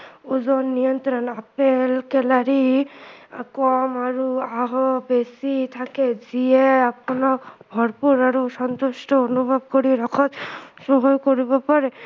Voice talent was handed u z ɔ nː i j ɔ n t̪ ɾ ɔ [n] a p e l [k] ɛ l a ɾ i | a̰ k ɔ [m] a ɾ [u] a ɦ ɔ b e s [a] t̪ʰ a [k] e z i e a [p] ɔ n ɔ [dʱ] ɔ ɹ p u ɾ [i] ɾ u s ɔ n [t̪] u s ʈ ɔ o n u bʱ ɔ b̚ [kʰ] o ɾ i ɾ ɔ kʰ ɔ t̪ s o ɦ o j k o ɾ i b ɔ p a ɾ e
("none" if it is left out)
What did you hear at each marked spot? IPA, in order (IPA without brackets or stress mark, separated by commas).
n, k, m, u, i, k, p, bʱ, a, t̪, k